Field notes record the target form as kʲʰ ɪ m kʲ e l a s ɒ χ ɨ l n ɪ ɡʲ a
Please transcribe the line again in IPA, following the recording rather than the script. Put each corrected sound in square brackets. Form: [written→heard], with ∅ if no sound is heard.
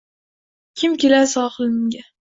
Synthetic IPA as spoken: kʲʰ ɪ m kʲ e l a s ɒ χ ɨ l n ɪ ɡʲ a